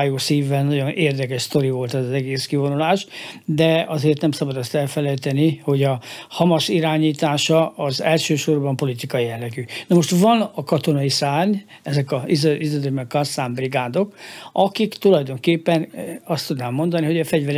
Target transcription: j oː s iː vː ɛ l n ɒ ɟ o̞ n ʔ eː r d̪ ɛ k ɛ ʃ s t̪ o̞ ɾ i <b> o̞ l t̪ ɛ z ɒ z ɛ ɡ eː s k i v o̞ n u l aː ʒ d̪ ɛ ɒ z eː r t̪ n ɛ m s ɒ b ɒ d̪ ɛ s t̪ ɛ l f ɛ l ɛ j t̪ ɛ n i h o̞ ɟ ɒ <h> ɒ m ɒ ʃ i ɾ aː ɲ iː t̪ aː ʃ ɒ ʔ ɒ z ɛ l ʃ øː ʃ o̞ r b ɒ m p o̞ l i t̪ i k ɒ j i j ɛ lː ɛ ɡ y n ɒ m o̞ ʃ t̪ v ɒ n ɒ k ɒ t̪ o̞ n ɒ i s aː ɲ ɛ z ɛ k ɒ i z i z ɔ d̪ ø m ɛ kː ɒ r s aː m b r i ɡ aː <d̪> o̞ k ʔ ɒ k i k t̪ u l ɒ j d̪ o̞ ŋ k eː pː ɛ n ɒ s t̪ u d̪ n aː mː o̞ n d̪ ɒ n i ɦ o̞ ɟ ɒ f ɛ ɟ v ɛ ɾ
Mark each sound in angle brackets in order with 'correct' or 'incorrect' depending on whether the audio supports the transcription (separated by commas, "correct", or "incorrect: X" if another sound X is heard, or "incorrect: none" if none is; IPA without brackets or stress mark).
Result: incorrect: v, correct, correct